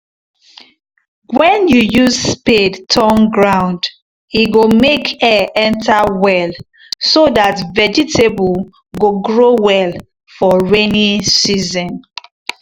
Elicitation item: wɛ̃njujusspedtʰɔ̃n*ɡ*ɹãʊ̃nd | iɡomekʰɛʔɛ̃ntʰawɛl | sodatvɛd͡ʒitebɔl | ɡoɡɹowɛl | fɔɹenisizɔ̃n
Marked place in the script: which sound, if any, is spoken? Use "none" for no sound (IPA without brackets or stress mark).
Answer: ɡ